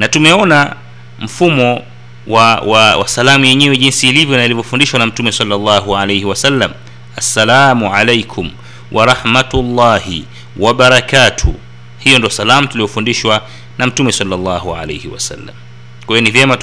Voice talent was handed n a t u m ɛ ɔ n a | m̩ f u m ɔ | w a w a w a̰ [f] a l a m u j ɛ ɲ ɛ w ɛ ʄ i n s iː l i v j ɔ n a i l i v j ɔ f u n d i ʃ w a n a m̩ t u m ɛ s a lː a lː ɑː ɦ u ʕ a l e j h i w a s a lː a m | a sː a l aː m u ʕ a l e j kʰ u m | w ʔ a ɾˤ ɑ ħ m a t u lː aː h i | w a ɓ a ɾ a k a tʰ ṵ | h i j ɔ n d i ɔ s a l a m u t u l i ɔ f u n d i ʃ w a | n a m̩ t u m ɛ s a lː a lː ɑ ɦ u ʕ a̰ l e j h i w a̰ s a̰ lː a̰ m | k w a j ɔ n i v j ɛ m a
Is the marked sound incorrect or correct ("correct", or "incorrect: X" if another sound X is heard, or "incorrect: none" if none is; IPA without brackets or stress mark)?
incorrect: s